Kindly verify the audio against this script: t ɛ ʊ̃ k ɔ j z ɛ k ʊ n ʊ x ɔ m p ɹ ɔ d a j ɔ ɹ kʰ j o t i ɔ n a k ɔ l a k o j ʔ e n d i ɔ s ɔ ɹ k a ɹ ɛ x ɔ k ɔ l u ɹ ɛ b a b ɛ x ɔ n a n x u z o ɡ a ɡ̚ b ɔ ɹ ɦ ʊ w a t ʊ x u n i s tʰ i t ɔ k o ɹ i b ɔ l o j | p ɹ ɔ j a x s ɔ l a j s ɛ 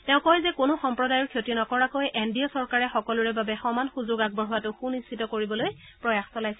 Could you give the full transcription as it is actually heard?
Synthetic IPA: t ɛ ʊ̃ k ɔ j z ɛ k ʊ n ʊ x ɔ m p ɹ ɔ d a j ɔ ɹ kʰ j o t i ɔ n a k ɔ ɹ a k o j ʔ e n d i ɔ s ɔ ɹ k a ɹ ɛ x ɔ k ɔ l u ɹ ɛ b a b ɛ x ɔ m a n x u z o ɡ a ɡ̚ b ɔ ɹ ɦ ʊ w a t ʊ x u n i s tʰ i t ɔ k o ɹ i b ɔ l o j | p ɹ ɔ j a x s ɔ l a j s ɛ

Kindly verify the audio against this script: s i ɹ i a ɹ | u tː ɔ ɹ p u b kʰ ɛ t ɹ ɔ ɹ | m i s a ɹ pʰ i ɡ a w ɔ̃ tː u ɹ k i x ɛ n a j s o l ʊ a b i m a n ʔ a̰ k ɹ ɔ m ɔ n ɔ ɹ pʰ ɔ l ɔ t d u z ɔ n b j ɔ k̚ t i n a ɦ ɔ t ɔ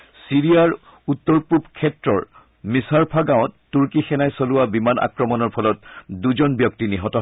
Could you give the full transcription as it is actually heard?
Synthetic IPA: s i ɹ i a ɹ | u tː ɔ ɹ p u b kʰ ɛ t ɹ ɔ ɹ | m i s a ɹ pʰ a ɡ a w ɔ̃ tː u ɹ k i x ɛ n a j s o l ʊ a b i m a n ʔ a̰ k ɹ ɔ m ɔ n ɔ ɹ pʰ ɔ l ɔ t d u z ɔ n b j ɔ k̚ t i n i ɦ ɔ t ɔ

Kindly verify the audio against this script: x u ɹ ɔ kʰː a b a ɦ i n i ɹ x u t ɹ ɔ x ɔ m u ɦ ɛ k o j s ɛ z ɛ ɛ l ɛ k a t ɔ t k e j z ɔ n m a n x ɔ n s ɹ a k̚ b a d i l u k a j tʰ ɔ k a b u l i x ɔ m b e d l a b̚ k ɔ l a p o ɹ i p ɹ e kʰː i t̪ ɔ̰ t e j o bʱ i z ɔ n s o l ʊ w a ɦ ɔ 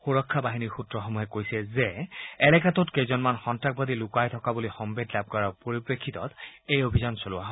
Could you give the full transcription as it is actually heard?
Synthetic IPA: x u ɹ ɔ kʰː a b a ɦ i n i ɹ x u t ɹ ɔ x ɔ m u ɦ ɛ k o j s ɛ z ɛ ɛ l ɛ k a t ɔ t k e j z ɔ n m a n x ɔ n t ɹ a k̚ b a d i l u k a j tʰ ɔ k a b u l i x ɔ m b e d l a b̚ k ɔ ɹ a p o ɹ i p ɹ e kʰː i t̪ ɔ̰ t e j o bʱ i z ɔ n s o l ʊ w a ɦ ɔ

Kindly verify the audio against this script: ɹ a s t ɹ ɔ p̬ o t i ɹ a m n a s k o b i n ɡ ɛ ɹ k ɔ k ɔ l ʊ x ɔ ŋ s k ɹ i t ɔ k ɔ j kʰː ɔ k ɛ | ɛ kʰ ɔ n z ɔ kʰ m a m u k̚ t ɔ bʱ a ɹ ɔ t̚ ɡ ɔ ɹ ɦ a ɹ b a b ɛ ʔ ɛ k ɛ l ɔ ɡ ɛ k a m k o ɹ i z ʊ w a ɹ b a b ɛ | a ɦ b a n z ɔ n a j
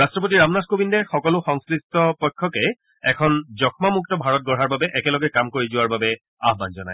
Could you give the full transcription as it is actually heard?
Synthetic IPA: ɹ a s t ɹ ɔ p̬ o t i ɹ a m n a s k o b i n d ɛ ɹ x ɔ k ɔ l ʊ x ɔ ŋ s k ɹ i t ɔ p ɔ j kʰː ɔ k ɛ | ɛ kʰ ɔ n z ɔ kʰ m a m u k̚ t ɔ bʱ a ɹ ɔ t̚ ɡ ɔ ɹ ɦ a ɹ b a b ɛ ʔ ɛ k ɛ l ɔ ɡ ɛ k a m k o ɹ i z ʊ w a ɹ b a b ɛ | a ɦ b a n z ɔ n a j

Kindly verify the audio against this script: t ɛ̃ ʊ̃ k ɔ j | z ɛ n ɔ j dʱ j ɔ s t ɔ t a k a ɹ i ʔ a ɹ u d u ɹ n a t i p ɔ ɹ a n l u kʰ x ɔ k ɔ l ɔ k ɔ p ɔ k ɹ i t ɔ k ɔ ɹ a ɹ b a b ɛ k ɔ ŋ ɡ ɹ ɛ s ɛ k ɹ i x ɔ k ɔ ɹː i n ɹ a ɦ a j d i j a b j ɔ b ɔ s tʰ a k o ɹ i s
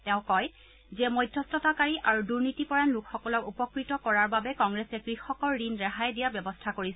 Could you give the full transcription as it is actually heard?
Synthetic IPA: t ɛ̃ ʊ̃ k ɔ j | z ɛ m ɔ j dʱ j ɔ s t ɔ t a k a ɹ i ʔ a ɹ u d u ɹ n i t i p ɔ ɹ a n l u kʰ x ɔ k ɔ l ɔ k u p ɔ k ɹ i t ɔ k ɔ ɹ a ɹ b a b ɛ k ɔ ŋ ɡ ɹ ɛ s ɛ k ɹ i x ɔ k ɔ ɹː i n ɹ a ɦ a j d i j a b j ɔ b ɔ s tʰ a k o ɹ i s

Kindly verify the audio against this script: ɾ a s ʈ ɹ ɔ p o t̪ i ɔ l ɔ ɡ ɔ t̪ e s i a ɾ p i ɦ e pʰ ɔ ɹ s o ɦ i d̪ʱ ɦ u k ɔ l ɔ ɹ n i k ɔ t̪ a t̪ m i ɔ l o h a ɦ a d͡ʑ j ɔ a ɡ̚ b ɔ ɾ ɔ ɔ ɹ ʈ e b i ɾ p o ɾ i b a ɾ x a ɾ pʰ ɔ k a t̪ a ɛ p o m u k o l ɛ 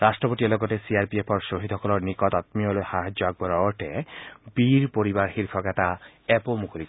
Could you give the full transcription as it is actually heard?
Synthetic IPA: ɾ a s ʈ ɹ ɔ p o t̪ i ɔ l ɔ ɡ ɔ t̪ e s i a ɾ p i e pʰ ɔ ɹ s o ɦ i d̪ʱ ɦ ɔ k ɔ l ɔ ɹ n i k ɔ t̪ a t̪ m i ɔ l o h a ɦ a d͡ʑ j ɔ a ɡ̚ b ɔ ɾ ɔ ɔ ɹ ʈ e b i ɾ p o ɾ i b a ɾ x i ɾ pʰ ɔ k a t̪ a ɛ p o m u k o l i

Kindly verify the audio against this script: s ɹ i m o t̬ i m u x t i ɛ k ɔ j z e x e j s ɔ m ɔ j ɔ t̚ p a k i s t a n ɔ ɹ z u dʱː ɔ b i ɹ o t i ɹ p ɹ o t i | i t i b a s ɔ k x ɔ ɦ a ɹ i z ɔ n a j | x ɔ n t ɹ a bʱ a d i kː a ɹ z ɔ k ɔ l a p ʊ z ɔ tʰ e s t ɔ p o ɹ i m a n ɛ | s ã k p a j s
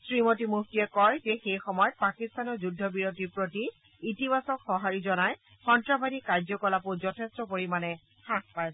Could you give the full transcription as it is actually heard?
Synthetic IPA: s ɹ i m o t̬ i m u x t i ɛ k ɔ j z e x e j x ɔ m ɔ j ɔ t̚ p a k i s t a n ɔ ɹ z u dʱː ɔ b i ɹ o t i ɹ p ɹ o t i | i t i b a s ɔ k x ɔ ɦ a ɹ i z ɔ n a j | x ɔ n t ɹ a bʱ a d i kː a ɹ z ɔ k ɔ l a p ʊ z ɔ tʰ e s t ɔ p o ɹ i m a n ɛ | x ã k p a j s

